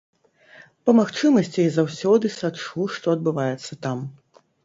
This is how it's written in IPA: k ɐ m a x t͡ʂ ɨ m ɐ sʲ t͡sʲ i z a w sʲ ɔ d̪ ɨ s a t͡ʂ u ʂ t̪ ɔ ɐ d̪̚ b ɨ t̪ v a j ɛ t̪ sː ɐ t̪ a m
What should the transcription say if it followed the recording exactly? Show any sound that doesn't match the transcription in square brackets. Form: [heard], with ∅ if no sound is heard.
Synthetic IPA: [p] ɐ m a x t͡ʂ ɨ m ɐ sʲ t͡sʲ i z a w sʲ ɔ d̪ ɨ s a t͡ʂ u ʂ t̪ ɔ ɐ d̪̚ b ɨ [∅] v a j ɛ t̪ sː ɐ t̪ a m